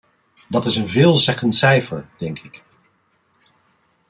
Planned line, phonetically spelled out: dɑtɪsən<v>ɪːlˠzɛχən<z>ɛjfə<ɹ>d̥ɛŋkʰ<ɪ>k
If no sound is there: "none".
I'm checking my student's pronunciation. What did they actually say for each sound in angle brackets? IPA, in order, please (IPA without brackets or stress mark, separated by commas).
v, s, ɹ, ɪ